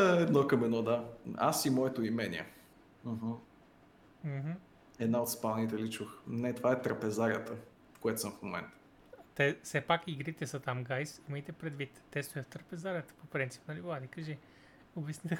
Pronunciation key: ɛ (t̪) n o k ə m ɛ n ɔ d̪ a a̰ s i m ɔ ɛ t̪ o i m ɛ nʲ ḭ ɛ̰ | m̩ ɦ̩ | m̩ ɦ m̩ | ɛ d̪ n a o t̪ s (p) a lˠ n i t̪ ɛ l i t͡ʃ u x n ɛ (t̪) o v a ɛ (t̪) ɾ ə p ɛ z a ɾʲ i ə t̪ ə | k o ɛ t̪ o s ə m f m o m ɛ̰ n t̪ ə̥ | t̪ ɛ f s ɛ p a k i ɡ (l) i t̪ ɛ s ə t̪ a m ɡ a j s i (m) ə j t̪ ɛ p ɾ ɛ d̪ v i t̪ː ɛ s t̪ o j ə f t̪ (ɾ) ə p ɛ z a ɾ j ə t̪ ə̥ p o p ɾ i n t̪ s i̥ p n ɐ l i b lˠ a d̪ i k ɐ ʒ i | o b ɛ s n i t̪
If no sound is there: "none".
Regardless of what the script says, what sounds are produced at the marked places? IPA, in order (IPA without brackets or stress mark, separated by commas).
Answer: d̪, p, t̪, t̪, ɾ, m, ɾ